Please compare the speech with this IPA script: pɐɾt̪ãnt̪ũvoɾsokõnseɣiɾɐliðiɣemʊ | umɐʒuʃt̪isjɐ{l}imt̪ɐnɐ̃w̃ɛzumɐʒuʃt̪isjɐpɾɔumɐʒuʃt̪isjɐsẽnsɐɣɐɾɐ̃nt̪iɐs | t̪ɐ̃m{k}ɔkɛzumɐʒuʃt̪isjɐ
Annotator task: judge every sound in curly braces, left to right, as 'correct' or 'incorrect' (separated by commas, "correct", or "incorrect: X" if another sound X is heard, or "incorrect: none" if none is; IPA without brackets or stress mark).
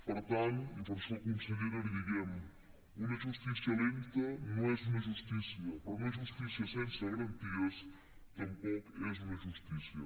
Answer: correct, incorrect: p